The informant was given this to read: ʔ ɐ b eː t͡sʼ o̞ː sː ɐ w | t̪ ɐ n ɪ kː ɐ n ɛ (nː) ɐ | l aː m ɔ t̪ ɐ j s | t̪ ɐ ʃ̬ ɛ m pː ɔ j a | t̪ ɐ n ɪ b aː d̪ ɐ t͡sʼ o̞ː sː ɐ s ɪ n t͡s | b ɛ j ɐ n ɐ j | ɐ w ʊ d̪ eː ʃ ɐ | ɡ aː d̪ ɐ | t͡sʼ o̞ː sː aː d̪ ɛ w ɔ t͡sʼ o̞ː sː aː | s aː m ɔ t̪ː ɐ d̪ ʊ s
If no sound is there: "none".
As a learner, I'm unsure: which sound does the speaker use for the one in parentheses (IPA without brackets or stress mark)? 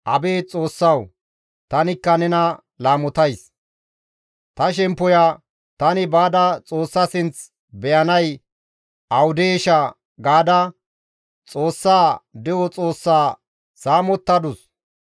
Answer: n